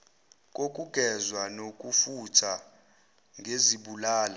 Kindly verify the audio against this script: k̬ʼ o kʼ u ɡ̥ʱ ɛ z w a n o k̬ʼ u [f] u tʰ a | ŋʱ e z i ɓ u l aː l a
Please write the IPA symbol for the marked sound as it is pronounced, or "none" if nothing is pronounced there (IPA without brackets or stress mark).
f